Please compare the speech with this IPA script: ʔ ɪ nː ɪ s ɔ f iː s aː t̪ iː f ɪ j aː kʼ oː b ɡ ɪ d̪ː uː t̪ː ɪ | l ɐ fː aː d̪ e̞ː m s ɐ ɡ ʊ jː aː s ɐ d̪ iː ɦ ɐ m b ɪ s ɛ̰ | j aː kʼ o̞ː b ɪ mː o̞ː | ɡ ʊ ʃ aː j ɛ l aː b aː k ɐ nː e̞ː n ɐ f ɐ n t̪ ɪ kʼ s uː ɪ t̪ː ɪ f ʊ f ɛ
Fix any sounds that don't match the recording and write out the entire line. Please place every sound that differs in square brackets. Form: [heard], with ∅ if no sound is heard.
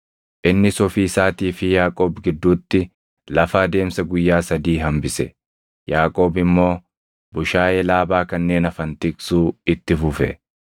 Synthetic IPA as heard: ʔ ɪ nː ɪ s ɔ f iː s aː t̪ iː f ɪ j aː kʼ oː b ɡ ɪ d̪ː uː t̪ː ɪ | l ɐ [f] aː d̪ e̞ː m s ɐ ɡ ʊ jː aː s ɐ d̪ iː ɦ ɐ m b ɪ s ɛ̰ | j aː kʼ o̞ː b ɪ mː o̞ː | [b] ʊ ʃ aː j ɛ l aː b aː k ɐ nː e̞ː n ɐ f ɐ n t̪ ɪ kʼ s uː ɪ t̪ː ɪ f ʊ f ɛ